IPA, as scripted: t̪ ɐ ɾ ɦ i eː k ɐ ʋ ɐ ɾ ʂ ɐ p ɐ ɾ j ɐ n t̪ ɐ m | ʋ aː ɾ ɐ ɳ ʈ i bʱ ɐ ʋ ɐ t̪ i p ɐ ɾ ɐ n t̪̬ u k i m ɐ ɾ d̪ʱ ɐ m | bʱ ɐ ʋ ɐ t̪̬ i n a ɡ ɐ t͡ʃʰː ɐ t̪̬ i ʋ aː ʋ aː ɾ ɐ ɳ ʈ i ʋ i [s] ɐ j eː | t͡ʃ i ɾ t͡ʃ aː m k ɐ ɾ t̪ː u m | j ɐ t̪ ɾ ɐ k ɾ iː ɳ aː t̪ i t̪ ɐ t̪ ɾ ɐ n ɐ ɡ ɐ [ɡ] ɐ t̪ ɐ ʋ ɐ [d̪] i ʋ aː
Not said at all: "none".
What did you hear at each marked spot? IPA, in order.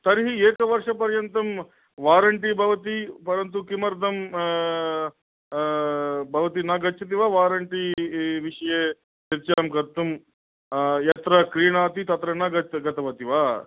ʂ, ɡ, t̪

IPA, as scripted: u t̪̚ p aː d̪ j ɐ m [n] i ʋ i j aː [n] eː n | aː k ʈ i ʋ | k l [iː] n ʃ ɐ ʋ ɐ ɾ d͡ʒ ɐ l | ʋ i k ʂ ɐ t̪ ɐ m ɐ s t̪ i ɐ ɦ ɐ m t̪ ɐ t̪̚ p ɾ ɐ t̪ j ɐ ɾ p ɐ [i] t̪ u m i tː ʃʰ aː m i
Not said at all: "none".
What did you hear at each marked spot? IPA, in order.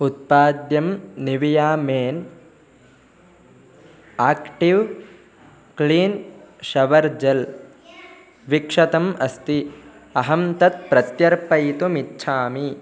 n, m, iː, j

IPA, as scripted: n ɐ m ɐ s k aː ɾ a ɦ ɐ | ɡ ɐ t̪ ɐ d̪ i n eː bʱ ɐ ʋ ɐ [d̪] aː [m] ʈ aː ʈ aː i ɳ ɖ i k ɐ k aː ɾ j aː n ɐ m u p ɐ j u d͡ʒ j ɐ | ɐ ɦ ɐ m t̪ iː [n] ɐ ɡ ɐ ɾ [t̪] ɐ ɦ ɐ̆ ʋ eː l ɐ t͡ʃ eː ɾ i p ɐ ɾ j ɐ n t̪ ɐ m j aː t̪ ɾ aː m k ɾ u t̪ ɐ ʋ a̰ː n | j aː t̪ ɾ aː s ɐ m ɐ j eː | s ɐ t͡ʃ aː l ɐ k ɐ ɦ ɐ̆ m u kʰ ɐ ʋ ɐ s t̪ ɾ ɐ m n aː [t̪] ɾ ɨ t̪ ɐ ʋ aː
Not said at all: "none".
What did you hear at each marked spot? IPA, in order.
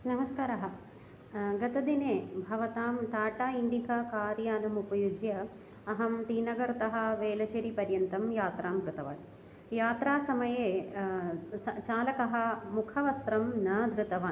t̪, m, n, t̪, d̪

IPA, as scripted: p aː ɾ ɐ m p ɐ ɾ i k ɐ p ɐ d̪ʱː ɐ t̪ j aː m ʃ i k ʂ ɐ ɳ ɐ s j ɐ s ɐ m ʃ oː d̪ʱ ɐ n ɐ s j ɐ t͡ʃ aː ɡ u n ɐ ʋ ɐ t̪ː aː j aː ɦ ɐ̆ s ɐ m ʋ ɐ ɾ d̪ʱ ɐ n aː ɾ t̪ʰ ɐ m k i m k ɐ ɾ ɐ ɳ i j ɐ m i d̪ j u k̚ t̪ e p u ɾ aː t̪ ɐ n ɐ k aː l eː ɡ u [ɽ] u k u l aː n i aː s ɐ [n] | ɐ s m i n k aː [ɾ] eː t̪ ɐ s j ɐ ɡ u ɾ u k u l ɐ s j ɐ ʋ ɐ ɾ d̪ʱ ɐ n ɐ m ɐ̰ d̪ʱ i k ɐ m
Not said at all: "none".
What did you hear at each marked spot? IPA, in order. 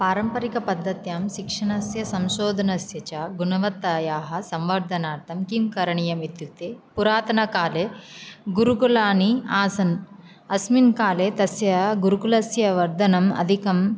ɾ, n, l

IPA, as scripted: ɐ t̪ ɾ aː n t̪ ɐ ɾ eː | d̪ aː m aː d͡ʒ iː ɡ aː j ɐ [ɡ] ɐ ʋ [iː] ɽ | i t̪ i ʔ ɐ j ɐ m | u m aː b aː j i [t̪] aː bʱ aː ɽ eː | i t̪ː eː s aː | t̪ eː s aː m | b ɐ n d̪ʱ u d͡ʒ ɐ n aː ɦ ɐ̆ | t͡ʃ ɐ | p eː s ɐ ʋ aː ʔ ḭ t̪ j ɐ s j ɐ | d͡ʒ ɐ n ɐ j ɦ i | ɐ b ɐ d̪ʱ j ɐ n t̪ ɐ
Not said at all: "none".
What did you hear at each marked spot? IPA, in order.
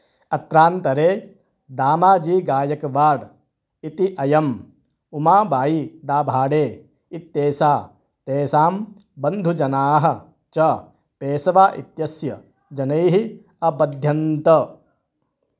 k, aː, d̪

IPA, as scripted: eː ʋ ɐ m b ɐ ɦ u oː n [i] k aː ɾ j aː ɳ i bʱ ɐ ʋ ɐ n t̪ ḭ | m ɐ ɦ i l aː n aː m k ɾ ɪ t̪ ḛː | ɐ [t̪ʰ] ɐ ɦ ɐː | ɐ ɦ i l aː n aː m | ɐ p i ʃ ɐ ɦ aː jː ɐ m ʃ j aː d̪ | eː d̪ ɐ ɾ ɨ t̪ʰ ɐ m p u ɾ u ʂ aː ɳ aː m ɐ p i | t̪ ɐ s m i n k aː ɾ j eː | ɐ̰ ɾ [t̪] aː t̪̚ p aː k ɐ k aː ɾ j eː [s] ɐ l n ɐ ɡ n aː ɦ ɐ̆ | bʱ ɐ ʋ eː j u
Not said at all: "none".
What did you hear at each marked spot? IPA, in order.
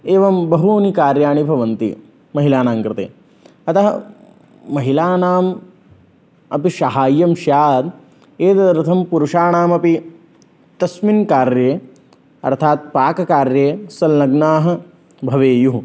i, t̪, t̪ʰ, s

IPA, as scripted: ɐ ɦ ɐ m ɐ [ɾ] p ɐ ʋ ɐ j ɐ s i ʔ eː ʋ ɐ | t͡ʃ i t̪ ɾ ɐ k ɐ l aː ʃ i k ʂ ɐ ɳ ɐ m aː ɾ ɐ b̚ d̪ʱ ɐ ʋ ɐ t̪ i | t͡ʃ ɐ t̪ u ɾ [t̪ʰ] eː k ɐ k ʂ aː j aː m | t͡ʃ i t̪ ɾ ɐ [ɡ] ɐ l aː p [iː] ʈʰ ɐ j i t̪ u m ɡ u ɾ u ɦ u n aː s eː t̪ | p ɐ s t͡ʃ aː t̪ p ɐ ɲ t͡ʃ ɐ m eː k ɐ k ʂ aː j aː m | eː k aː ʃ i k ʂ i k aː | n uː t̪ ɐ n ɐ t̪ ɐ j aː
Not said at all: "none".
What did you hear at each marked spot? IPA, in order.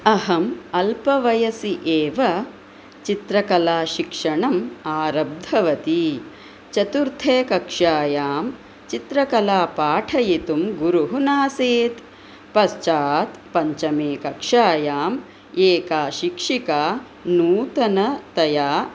l, t̪ʰ, k, aː

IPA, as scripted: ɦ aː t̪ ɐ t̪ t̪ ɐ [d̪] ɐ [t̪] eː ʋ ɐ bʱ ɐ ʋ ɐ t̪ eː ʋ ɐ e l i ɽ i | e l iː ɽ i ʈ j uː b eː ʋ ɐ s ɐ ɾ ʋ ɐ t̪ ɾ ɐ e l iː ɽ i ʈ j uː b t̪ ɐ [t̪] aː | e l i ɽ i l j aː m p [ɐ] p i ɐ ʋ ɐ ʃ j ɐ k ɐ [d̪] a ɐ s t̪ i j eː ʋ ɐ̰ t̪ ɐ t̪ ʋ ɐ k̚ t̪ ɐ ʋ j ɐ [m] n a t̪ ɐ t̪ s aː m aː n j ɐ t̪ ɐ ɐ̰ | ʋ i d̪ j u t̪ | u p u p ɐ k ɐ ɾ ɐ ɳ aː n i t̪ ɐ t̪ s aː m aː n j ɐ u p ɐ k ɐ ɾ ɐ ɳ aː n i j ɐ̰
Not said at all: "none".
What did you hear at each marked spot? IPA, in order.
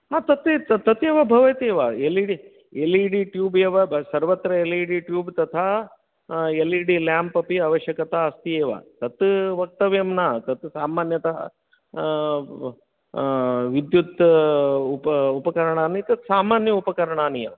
t̪, t̪, t̪ʰ, ɐ, t̪, m

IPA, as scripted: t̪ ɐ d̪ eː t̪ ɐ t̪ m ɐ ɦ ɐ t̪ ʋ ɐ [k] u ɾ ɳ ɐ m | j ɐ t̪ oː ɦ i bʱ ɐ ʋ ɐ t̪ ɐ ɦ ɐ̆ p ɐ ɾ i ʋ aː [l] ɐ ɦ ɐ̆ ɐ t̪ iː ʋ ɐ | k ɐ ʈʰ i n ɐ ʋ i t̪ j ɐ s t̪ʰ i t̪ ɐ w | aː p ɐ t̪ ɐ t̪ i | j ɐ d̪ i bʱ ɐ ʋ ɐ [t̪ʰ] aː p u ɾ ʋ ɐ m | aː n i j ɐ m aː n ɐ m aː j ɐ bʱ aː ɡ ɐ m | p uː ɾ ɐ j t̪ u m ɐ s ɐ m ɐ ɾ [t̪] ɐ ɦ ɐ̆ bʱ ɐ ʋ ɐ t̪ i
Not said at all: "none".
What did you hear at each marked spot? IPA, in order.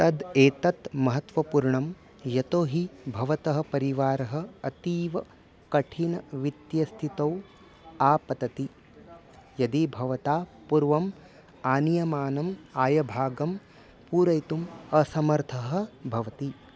p, ɾ, t̪, t̪ʰ

